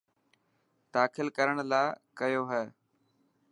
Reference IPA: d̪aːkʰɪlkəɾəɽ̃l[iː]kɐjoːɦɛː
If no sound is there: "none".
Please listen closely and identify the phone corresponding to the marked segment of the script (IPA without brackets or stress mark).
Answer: aː